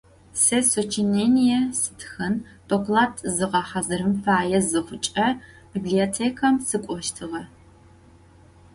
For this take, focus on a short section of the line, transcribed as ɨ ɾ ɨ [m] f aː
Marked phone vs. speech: correct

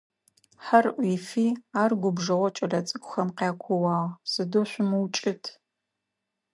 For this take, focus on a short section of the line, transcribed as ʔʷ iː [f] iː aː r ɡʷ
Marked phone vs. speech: correct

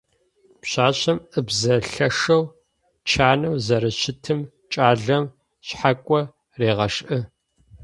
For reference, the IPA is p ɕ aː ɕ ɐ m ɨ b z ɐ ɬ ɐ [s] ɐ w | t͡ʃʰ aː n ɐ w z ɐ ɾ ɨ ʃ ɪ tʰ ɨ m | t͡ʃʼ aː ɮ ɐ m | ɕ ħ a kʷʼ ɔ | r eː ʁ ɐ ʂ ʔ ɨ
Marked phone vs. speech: incorrect: ʂ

